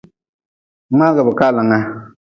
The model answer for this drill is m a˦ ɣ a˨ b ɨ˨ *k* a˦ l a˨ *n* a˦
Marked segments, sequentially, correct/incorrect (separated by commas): correct, incorrect